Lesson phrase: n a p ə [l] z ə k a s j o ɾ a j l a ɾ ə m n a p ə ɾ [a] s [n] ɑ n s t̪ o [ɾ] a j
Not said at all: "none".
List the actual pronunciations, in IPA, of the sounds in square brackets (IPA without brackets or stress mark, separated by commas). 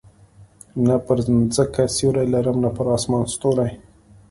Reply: ɾ, ɑ, m, ɾ